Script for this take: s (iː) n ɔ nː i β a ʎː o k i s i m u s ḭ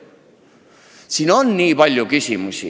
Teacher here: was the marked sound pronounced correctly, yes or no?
no